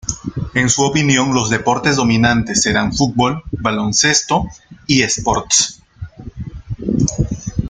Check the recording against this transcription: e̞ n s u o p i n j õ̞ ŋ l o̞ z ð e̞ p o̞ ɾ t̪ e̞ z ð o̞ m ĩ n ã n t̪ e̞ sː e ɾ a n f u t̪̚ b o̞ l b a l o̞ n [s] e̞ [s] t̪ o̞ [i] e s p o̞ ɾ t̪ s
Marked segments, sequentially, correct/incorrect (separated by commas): correct, correct, correct